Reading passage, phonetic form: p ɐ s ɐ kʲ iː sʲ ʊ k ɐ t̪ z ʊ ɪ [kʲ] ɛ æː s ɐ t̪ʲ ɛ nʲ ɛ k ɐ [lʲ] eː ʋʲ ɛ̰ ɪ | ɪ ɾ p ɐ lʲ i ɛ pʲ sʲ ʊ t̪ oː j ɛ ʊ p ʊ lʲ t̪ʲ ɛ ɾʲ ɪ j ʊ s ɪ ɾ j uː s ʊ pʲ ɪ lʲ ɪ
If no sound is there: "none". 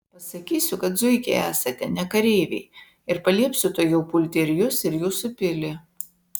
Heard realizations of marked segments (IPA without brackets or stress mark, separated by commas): kʲ, ɾʲ